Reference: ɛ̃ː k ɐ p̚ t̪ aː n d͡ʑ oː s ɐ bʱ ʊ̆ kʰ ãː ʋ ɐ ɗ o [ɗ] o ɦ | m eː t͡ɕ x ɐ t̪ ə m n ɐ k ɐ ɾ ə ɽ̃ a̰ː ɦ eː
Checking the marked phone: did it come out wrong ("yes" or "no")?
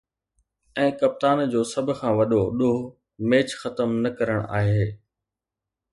no